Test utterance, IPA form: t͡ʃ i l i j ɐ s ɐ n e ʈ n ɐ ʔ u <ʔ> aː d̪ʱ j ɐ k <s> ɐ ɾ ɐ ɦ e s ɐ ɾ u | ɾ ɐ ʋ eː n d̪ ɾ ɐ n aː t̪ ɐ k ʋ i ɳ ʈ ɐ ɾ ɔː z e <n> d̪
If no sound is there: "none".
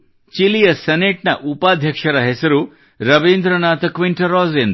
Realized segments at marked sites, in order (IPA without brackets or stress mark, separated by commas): p, ʂ, n